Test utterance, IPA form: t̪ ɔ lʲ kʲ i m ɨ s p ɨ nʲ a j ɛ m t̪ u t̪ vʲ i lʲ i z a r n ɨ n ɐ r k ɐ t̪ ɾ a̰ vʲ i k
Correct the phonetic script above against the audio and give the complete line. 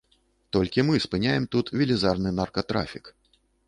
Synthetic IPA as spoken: t̪ ɔ lʲ kʲ i m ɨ s p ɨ nʲ a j ɛ m t̪ u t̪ vʲ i lʲ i z a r n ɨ n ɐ r k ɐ t̪ ɾ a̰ fʲ i k

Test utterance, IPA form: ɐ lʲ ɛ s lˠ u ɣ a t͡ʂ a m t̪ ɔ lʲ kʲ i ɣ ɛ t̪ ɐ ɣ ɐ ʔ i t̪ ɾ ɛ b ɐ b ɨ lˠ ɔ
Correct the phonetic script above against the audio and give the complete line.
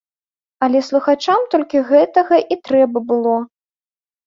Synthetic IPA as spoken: ɐ lʲ ɛ s lˠ u x a t͡ʂ a m t̪ ɔ lʲ kʲ i ɣ ɛ t̪ ɐ ɣ ɐ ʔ i t̪ ɾ ɛ b ɐ b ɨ lˠ ɔ

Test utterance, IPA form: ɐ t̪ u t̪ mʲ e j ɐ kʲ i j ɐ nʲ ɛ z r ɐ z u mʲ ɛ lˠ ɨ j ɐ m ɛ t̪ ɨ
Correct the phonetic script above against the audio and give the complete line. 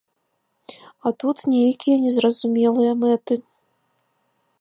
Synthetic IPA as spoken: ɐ t̪ u t̪ nʲ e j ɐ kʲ i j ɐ nʲ ɛ z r ɐ z u mʲ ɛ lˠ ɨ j ɐ m ɛ t̪ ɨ

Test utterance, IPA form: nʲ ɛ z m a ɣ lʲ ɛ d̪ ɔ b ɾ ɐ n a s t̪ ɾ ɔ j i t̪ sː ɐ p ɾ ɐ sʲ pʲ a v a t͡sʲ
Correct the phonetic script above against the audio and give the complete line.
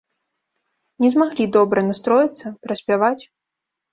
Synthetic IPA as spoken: nʲ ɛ z m a ɣ lʲ i d̪ ɔ b ɾ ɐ n a s t̪ ɾ ɔ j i t̪ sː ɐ p ɾ ɐ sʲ pʲ a v a t͡sʲ

